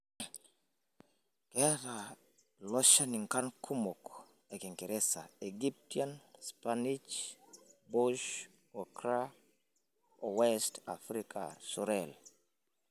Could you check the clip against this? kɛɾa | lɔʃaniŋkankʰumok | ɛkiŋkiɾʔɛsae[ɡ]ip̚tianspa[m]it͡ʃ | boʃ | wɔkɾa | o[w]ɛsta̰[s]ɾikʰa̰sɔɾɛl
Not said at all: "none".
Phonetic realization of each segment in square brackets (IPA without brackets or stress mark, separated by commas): ɡ, n, w, f